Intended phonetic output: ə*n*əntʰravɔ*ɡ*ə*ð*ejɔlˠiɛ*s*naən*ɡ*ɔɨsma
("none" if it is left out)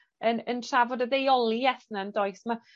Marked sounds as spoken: n, d, ð, θ, d

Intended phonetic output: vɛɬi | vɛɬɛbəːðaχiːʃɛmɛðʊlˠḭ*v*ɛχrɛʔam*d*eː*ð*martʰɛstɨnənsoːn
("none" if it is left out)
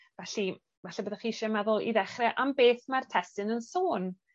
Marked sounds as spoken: ð, b, θ

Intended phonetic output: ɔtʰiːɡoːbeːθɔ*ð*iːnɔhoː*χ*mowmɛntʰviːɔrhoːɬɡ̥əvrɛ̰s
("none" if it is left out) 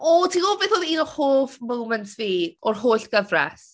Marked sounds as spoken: ð, f

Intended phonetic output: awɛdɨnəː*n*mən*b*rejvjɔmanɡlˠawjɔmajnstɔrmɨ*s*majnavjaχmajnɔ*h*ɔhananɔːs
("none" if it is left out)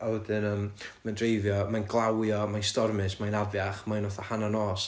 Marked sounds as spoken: m, d, s, θ

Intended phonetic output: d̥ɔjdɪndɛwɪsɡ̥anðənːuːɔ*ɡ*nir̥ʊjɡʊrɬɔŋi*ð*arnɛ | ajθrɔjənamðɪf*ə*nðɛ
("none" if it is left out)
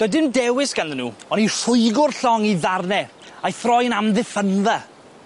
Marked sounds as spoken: none, ð, ə

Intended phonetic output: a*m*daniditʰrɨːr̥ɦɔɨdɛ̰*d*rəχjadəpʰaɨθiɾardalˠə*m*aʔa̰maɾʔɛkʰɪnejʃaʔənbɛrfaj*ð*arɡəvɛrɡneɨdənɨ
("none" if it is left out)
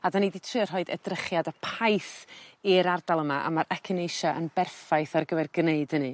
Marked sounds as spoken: none, d, m, θ

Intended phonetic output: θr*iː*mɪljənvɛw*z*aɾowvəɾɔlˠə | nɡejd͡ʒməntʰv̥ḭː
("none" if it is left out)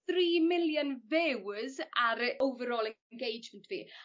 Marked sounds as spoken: iː, z

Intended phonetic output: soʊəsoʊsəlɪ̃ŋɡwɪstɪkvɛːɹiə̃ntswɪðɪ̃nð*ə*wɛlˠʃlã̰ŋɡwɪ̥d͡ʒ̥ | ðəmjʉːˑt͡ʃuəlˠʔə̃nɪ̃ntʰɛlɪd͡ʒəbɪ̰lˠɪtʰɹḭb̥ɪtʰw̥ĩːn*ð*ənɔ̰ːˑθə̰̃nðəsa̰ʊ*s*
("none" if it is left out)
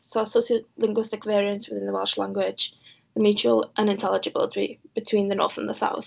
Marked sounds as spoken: ə, ð, θ

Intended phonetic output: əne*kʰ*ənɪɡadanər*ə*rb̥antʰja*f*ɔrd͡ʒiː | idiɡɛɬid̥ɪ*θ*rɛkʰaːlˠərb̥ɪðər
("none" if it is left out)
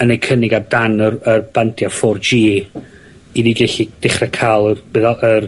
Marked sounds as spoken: kʰ, ə, f, χ

